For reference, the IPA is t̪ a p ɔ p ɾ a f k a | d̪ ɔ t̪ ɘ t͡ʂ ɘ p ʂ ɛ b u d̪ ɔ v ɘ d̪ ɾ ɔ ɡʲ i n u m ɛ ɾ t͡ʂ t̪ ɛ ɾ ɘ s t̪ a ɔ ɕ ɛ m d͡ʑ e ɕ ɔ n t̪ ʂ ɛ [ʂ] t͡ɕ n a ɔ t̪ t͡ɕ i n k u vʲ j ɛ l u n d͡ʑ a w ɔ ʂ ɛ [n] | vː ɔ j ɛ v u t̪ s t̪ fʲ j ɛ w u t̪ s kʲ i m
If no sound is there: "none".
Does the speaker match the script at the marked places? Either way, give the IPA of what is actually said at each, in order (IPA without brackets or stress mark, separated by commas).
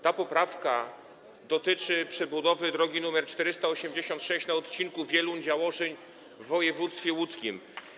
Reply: ɕ, ɲ